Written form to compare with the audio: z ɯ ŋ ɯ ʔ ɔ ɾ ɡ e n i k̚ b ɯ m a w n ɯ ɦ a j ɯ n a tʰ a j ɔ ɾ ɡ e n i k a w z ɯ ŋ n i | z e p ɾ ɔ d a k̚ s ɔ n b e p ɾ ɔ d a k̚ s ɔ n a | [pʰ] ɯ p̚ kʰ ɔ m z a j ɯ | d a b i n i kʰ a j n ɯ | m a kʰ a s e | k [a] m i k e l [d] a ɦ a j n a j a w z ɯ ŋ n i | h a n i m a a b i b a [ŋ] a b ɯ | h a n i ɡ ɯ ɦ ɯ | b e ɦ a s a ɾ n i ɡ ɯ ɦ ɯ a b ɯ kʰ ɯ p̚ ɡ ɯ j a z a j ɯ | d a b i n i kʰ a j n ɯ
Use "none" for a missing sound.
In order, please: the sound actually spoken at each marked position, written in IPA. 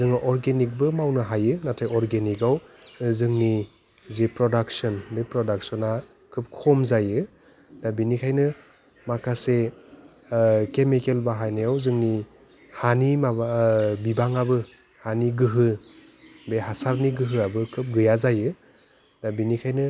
kʰ, e, b, ŋ

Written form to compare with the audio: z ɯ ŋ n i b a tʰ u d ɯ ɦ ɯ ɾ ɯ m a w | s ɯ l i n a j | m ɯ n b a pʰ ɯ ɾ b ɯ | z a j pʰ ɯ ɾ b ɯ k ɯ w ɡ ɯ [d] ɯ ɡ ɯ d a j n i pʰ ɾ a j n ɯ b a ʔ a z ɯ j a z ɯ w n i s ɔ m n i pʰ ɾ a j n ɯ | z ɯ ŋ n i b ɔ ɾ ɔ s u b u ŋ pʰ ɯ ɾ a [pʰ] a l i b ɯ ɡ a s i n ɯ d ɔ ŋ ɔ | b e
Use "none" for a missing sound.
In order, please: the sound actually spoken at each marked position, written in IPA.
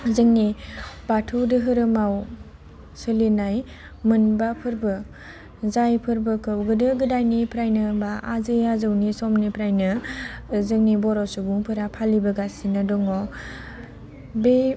d, pʰ

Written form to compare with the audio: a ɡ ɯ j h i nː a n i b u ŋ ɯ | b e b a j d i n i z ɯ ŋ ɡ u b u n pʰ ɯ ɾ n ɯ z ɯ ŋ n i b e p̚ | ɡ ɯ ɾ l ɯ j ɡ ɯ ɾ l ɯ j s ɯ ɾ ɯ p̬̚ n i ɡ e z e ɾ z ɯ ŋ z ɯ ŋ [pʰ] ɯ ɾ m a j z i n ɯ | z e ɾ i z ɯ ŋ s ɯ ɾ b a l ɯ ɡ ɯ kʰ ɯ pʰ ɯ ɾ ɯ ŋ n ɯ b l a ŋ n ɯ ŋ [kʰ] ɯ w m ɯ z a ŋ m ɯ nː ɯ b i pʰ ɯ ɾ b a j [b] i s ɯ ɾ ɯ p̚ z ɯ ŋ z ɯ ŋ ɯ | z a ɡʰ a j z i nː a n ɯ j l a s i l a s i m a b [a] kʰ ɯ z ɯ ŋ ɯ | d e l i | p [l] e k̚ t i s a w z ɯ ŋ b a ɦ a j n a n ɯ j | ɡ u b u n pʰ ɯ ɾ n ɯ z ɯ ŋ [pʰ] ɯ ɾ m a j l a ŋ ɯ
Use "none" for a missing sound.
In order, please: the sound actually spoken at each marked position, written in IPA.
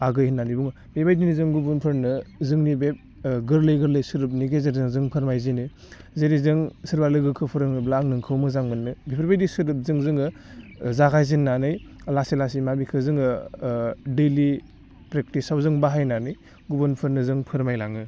pʰ, kʰ, d, i, ɾ, pʰ

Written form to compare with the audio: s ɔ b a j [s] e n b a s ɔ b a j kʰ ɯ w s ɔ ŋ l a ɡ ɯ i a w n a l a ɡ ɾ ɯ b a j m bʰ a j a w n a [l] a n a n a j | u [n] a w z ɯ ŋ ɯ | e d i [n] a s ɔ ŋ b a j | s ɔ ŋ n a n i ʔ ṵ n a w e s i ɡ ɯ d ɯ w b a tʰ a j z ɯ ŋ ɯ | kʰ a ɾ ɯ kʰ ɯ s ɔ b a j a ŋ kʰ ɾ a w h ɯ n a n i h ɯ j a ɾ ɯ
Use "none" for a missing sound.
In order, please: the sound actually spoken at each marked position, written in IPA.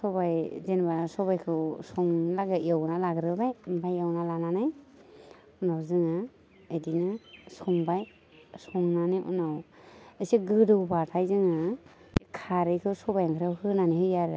z, l, n, n

